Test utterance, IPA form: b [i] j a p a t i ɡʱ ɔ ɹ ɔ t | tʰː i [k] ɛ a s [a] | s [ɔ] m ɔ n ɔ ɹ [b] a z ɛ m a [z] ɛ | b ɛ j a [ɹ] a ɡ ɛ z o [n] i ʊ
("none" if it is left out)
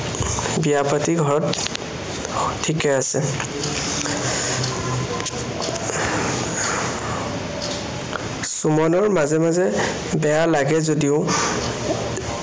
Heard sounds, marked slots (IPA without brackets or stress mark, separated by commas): i, k, ɛ, u, m, z, l, d